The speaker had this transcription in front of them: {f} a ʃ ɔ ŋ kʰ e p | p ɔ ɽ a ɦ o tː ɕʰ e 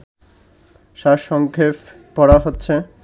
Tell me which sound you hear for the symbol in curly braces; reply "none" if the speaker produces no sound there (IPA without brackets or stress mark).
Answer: ʃ